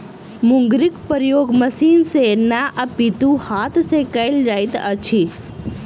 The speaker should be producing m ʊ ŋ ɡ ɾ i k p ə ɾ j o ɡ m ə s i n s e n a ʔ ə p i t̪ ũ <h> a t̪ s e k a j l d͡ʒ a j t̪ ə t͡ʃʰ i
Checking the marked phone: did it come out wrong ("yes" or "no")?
no